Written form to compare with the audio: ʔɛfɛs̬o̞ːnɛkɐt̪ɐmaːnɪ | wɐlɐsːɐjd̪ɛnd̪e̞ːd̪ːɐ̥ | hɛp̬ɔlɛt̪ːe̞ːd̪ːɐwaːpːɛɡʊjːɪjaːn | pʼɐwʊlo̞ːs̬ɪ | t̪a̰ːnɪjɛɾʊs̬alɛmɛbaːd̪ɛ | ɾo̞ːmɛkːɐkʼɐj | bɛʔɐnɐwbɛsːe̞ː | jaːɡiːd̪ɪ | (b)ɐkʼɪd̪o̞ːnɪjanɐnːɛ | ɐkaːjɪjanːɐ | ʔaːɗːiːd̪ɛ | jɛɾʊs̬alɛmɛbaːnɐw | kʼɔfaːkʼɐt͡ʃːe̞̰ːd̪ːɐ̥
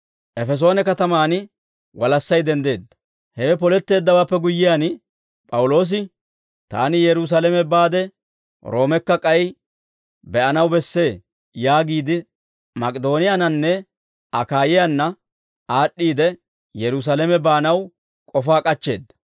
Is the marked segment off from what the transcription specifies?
yes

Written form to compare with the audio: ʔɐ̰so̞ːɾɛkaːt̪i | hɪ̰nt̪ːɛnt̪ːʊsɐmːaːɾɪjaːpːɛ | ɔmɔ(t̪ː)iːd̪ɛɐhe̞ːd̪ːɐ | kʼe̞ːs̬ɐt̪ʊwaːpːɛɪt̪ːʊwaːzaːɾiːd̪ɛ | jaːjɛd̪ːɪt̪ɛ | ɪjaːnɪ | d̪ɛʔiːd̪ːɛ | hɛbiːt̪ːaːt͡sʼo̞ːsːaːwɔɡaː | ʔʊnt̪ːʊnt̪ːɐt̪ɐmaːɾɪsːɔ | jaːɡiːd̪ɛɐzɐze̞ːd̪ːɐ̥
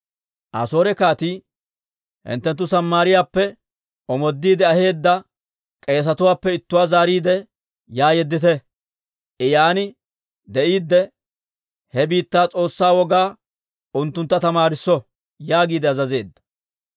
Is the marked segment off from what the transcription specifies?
yes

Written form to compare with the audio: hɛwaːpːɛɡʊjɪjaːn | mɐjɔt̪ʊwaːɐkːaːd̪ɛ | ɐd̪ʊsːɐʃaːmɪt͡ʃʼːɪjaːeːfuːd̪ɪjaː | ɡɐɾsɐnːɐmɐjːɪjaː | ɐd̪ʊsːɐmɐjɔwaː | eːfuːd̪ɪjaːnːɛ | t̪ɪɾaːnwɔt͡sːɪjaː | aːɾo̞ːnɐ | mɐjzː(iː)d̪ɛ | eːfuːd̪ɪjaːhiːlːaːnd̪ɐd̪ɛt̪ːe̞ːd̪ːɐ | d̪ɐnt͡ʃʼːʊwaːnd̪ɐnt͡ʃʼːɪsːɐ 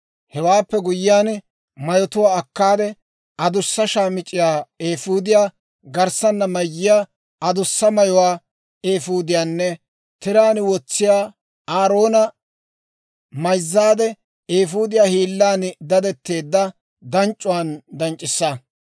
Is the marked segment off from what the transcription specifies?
yes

